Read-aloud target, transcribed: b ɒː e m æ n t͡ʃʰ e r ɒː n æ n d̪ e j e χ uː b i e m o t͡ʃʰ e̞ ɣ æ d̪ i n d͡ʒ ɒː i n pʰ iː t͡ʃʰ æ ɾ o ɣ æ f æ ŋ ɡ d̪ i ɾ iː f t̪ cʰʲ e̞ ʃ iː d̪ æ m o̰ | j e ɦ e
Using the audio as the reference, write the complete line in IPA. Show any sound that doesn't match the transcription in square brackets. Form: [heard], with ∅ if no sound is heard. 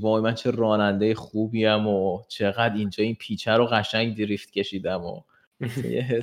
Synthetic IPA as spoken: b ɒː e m æ n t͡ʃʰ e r ɒː n æ n d̪ e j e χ uː b i [æ] m o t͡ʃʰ e̞ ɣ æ d̪ i n d͡ʒ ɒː i n pʰ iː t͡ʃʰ æ ɾ o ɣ æ [ʃ] æ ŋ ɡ d̪ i ɾ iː f t̪ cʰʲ e̞ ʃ iː d̪ æ m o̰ | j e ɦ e